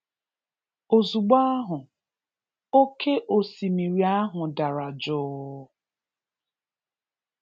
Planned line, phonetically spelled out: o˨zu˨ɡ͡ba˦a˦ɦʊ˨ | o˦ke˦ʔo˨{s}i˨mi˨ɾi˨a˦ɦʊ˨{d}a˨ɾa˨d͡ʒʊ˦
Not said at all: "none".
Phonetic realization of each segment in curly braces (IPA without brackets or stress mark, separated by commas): s, d